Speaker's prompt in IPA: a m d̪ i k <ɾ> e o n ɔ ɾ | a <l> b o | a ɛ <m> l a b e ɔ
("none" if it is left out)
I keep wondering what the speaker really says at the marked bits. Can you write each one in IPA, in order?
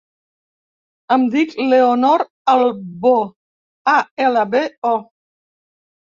l, l, none

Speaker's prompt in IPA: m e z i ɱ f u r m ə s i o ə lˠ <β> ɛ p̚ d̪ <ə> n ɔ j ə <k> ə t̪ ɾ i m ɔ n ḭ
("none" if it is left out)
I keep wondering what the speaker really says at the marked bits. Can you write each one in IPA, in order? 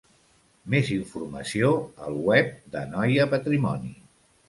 w, ə, p

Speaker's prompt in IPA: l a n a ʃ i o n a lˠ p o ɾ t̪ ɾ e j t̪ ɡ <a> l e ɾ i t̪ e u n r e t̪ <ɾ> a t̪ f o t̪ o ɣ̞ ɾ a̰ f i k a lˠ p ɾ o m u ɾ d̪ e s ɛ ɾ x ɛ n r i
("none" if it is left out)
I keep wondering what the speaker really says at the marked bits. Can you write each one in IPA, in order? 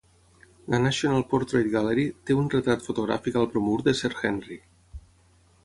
a, ɾ

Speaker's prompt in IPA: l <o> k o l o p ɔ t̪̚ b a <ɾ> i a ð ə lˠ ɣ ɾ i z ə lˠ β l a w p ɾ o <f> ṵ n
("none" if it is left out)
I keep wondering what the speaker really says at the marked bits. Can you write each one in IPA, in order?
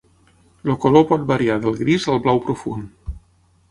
o, ɾ, f

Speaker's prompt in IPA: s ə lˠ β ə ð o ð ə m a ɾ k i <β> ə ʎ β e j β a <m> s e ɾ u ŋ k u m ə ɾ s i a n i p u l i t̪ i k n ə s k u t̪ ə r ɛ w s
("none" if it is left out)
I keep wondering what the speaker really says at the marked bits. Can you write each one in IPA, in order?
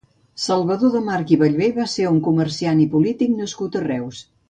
β, none

